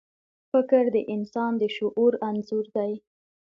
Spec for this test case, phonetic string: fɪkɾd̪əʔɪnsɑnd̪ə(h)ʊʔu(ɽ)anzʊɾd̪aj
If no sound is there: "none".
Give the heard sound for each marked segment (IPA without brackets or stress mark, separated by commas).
ʃ, ɾ